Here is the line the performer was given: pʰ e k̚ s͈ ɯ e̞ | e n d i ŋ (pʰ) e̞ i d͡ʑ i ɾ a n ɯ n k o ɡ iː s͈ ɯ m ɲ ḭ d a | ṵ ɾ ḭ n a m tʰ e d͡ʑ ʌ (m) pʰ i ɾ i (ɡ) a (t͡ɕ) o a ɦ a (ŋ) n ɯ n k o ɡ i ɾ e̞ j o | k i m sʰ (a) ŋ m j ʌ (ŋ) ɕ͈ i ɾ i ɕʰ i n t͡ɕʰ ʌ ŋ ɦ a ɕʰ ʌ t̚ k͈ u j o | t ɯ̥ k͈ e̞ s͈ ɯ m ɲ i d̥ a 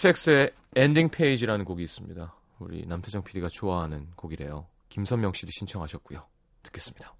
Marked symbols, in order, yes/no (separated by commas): yes, no, yes, no, no, no, yes